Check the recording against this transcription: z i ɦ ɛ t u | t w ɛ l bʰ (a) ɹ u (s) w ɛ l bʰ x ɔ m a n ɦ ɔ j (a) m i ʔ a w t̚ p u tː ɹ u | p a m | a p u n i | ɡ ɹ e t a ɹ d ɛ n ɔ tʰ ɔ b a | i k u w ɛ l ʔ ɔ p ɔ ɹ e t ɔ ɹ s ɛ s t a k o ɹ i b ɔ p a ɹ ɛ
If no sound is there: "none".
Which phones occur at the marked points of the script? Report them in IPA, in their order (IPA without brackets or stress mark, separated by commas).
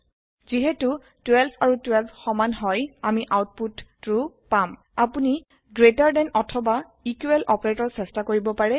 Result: a, t, a